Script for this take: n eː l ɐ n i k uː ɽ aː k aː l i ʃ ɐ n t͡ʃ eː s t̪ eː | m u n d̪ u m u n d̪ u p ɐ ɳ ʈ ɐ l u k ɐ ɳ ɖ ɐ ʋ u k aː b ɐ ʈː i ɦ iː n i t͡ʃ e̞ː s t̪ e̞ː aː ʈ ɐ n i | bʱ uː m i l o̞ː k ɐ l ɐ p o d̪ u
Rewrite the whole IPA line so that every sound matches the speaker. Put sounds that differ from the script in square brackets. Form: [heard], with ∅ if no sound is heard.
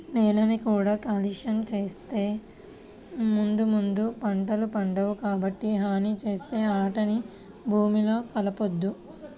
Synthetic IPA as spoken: n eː l ɐ n i k uː ɽ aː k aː l i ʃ ɐ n t͡ʃ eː s t̪ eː | m u n d̪ u m u n d̪ u p ɐ ɳ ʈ ɐ l u [p] ɐ ɳ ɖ ɐ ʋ u k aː b ɐ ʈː i ɦ [aː] n i t͡ʃ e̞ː s t̪ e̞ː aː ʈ ɐ n i | bʱ uː m i l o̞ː k ɐ l ɐ p o [d̪ː] u

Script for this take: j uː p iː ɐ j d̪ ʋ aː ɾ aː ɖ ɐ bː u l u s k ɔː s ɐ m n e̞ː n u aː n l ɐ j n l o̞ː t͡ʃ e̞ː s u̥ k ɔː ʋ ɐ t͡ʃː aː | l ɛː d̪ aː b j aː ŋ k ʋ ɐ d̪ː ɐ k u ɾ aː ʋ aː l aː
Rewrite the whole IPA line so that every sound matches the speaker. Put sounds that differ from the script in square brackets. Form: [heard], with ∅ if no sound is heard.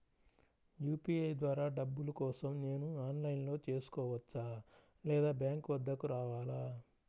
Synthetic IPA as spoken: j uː p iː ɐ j d̪ ʋ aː ɾ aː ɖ ɐ bː u l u [∅] k ɔː s ɐ m n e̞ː n u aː n l ɐ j n l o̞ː t͡ʃ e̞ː s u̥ k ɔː ʋ ɐ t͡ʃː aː | l ɛː d̪ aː b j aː ŋ k ʋ ɐ d̪ː ɐ k u ɾ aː ʋ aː l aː

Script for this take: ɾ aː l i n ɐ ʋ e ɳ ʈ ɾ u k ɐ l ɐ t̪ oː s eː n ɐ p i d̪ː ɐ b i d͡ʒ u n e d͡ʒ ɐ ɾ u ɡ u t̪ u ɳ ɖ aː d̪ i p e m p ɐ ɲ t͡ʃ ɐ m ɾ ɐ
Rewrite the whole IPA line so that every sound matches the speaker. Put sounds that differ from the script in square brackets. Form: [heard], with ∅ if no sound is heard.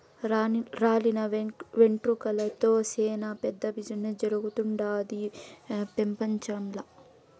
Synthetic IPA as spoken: ɾ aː l i n ɐ ʋ e ɳ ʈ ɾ u k ɐ l ɐ t̪ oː s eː n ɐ p [ɛ] d̪ː ɐ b i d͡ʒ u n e d͡ʒ ɐ ɾ u ɡ u t̪ u ɳ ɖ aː d̪ i p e m p ɐ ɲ t͡ʃ ɐ m [l] ɐ

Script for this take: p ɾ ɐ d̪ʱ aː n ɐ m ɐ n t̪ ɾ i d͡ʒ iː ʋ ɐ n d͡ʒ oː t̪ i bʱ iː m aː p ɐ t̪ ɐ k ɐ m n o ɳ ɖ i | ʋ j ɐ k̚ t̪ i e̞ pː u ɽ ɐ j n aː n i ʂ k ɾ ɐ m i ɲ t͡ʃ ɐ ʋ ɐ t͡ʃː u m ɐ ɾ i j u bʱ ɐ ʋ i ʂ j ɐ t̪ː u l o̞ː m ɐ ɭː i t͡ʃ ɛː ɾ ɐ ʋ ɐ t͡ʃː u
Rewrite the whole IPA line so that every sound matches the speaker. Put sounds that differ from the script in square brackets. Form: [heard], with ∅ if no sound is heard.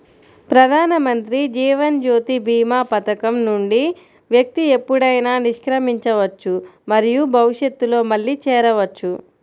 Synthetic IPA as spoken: p ɾ ɐ d̪ʱ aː n ɐ m ɐ n t̪ ɾ i d͡ʒ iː ʋ ɐ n d͡ʒ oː t̪ i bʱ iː m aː p ɐ t̪ ɐ k ɐ m n [u] ɳ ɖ i | ʋ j ɐ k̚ t̪ i e̞ pː u ɽ ɐ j n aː n i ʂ k ɾ ɐ m i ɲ t͡ʃ ɐ ʋ ɐ t͡ʃː u m ɐ ɾ i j u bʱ ɐ ʋ i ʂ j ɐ t̪ː u l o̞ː m ɐ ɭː i t͡ʃ ɛː ɾ ɐ ʋ ɐ t͡ʃː u

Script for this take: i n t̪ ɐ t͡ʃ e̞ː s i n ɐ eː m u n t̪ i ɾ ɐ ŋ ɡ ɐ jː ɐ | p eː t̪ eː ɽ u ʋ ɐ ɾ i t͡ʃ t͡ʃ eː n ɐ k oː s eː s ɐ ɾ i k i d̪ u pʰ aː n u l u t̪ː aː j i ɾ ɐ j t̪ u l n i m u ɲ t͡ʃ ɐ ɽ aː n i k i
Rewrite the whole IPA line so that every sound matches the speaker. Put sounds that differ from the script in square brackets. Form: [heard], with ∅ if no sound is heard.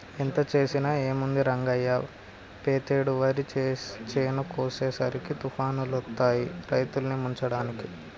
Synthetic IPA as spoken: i n t̪ ɐ t͡ʃ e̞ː s i n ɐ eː m u n [d̪] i ɾ ɐ ŋ ɡ ɐ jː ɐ | p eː t̪ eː ɽ u ʋ ɐ ɾ i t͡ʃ t͡ʃ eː n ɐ k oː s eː s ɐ ɾ i k i [t̪] u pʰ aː n u l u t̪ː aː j i ɾ ɐ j t̪ u l n i m u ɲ t͡ʃ ɐ ɽ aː n i k i

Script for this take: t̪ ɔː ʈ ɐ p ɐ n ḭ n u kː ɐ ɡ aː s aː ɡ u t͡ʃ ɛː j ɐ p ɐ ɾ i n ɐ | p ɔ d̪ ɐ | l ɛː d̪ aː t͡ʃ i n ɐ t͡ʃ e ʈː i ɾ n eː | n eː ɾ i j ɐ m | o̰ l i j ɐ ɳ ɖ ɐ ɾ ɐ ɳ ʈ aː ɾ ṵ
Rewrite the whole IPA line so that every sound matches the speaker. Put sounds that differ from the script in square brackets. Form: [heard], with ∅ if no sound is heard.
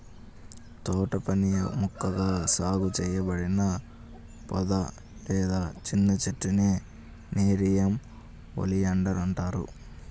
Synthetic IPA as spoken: t̪ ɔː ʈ ɐ p ɐ n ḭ [m] u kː ɐ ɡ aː s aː ɡ u t͡ʃ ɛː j ɐ [b] ɐ [ɽ] i n ɐ | p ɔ d̪ ɐ | l ɛː d̪ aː t͡ʃ i [nː] ɐ t͡ʃ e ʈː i [∅] n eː | n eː ɾ i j ɐ m | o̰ l i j ɐ ɳ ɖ ɐ ɾ ɐ ɳ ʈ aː ɾ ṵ

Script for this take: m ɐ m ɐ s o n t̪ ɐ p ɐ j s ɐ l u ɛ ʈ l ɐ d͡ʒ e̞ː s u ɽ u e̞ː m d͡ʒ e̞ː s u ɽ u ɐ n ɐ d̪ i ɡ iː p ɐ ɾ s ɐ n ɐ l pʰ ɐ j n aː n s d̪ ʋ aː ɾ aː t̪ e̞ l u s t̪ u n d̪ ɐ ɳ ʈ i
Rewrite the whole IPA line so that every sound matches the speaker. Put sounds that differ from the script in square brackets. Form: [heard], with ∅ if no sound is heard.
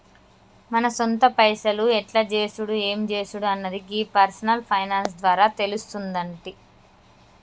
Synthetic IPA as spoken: m ɐ [n] ɐ s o n t̪ ɐ p ɐ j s ɐ l u ɛ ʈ l ɐ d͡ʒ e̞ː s u ɽ u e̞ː m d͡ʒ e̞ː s u ɽ u ɐ [nː] ɐ d̪ i ɡ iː p ɐ ɾ s ɐ n ɐ l pʰ ɐ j n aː n s d̪ ʋ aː ɾ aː t̪ e̞ l u s t̪ u n d̪ ɐ ɳ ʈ i

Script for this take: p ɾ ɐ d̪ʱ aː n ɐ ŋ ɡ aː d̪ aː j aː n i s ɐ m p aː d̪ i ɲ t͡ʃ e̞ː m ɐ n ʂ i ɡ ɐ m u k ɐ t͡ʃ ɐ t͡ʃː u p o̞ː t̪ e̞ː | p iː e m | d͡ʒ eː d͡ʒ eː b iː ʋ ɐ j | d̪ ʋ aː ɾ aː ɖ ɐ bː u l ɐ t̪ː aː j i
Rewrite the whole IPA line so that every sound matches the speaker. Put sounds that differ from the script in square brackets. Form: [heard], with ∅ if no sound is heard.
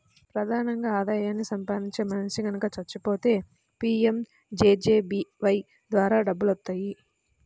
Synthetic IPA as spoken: p ɾ ɐ d̪ʱ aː n ɐ ŋ ɡ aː d̪ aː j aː [nː] i s ɐ m p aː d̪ i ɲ t͡ʃ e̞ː m ɐ n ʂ i ɡ ɐ [n] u k ɐ t͡ʃ ɐ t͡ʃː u p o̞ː t̪ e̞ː | p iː e m | d͡ʒ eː d͡ʒ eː b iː ʋ ɐ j | d̪ ʋ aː ɾ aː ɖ ɐ bː u l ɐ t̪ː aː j i

